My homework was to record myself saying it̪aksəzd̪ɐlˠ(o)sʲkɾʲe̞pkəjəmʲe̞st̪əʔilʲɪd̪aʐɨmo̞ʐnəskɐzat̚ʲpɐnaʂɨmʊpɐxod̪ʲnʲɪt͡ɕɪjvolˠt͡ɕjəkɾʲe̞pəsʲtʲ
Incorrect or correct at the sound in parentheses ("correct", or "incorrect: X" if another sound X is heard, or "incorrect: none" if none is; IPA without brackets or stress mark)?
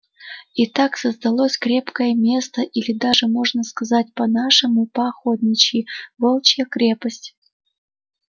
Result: correct